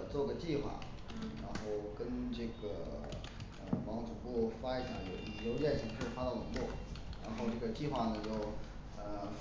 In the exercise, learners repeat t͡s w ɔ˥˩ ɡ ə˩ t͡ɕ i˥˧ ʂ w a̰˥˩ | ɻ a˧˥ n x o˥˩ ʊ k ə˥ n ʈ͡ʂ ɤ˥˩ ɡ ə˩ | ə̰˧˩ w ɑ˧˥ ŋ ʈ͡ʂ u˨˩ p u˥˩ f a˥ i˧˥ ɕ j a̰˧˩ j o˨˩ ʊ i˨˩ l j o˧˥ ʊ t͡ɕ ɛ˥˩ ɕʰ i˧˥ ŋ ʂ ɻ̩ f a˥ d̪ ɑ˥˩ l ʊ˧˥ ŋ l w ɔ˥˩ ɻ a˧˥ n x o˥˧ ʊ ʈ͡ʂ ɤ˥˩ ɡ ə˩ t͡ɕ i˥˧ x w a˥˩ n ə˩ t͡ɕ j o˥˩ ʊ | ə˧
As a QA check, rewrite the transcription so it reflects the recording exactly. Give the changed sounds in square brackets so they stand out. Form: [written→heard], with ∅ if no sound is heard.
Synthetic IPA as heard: t͡s w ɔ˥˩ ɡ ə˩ t͡ɕ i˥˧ [ʂ→x] w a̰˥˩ | ɻ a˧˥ n x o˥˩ ʊ k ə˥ n ʈ͡ʂ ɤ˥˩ ɡ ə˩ | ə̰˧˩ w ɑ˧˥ ŋ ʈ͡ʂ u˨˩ p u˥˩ f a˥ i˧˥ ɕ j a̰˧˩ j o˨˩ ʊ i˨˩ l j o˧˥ ʊ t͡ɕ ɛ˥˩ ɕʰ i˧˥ ŋ ʂ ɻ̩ f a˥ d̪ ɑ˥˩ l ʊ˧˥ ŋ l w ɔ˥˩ ɻ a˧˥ n x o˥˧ ʊ ʈ͡ʂ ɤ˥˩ ɡ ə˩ t͡ɕ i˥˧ x w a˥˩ n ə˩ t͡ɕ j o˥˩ ʊ | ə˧